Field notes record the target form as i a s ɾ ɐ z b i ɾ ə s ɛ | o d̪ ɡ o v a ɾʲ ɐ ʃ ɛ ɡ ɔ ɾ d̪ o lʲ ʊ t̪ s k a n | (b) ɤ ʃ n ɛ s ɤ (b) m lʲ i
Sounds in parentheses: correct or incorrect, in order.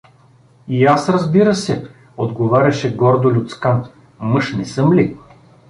incorrect: m, incorrect: none

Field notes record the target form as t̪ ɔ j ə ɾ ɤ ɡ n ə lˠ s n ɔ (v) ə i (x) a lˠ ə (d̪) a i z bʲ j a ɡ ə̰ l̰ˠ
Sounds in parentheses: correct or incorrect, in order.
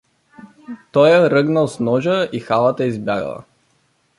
incorrect: ʒ, correct, incorrect: t̪

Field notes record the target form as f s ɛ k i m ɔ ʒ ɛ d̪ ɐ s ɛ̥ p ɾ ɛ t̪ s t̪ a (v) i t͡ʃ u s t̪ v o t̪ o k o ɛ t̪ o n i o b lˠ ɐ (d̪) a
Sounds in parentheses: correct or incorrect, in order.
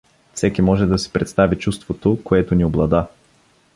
correct, correct

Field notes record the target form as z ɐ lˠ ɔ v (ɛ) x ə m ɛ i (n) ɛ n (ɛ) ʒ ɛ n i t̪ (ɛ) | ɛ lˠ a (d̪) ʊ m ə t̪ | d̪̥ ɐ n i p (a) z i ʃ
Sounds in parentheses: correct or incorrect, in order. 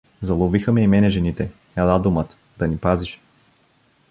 incorrect: i, incorrect: m, correct, correct, correct, correct

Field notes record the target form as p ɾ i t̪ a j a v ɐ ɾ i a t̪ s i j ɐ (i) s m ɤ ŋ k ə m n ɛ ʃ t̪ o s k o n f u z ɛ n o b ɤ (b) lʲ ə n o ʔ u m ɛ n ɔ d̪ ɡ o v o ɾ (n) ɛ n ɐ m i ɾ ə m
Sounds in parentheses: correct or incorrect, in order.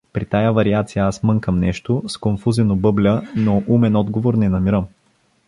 incorrect: a, correct, correct

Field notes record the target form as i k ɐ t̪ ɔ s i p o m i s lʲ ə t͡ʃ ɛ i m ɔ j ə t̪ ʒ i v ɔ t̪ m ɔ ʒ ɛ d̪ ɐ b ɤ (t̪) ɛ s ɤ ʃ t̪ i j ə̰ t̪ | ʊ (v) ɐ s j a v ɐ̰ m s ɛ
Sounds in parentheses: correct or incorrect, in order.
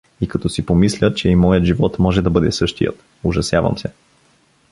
incorrect: d̪, incorrect: ʒ

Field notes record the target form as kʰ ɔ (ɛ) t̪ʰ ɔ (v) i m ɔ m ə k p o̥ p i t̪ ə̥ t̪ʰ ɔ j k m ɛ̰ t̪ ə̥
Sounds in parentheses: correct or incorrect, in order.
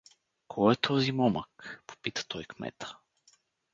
correct, incorrect: z

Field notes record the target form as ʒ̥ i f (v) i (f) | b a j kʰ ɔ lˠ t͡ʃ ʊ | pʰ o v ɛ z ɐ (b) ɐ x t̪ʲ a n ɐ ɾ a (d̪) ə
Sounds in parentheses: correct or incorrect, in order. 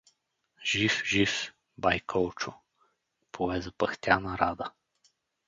incorrect: ʒ, correct, incorrect: p, correct

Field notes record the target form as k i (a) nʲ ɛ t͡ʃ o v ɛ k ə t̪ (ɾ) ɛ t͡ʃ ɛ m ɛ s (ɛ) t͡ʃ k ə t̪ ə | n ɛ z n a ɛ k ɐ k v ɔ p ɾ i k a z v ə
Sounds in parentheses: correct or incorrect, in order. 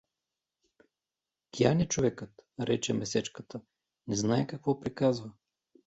correct, correct, correct

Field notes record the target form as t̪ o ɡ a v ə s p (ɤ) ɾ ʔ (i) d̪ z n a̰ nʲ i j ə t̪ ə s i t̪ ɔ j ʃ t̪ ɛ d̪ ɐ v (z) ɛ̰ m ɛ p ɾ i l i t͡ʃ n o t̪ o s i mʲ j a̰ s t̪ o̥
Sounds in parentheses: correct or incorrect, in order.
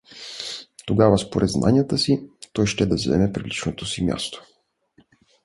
incorrect: o, incorrect: ɛ, correct

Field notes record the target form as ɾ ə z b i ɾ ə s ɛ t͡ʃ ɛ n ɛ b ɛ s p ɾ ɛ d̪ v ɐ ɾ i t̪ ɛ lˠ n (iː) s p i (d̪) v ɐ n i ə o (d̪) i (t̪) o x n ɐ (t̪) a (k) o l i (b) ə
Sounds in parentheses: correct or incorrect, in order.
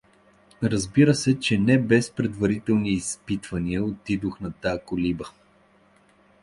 correct, incorrect: t̪, incorrect: t̪, incorrect: d̪, correct, correct, correct

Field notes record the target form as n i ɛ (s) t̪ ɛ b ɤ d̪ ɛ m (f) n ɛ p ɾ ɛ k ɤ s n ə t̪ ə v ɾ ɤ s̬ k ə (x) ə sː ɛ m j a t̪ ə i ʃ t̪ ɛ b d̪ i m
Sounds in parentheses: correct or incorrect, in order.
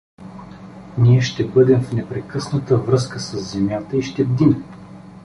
incorrect: ʃ, correct, incorrect: s

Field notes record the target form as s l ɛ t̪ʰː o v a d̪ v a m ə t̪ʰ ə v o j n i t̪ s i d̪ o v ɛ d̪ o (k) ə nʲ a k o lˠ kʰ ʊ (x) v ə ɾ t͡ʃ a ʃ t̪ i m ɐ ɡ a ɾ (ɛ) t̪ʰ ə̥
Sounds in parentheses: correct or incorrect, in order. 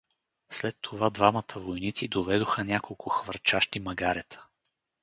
incorrect: x, correct, correct

